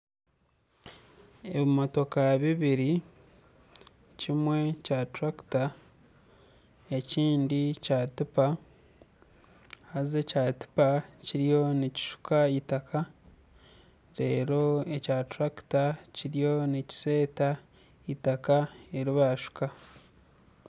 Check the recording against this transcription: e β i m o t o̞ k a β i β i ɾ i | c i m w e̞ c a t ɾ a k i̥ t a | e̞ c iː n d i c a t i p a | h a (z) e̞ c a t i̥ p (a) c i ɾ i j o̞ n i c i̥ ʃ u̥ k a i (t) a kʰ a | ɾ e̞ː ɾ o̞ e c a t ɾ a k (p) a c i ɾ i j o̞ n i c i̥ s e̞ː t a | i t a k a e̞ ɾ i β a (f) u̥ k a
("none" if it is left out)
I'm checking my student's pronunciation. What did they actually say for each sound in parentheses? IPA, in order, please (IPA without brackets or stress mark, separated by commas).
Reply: z, a, t, t, ʃ